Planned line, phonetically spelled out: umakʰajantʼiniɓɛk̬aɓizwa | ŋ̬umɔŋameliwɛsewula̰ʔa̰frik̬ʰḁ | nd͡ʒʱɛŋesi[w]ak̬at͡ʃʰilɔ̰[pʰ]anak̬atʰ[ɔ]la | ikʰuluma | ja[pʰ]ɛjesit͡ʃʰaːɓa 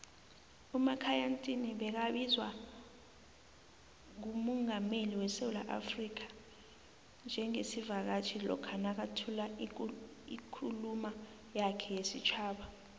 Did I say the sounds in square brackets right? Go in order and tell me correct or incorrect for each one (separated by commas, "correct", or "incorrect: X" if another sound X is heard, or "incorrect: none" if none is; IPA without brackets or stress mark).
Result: incorrect: v, incorrect: kʰ, incorrect: u, incorrect: kʰ